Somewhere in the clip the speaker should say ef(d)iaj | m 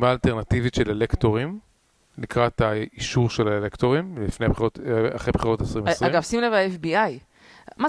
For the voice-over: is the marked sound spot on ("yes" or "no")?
no